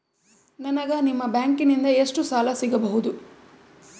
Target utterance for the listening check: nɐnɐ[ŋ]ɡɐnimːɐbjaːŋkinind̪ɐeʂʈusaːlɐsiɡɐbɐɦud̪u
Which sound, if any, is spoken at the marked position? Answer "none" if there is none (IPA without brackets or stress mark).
none